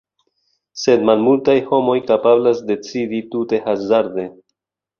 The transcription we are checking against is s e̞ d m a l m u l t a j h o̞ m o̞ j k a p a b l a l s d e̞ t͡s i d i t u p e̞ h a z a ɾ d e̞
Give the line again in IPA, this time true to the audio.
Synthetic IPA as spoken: s e̞ d m a l m u l t a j h o̞ m o̞ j k a p a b l a s d e̞ t͡s i d i t u t e̞ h a z a ɾ d e̞